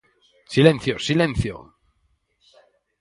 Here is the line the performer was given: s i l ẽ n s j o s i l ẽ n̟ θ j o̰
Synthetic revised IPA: s i l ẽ n θ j o s i l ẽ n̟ θ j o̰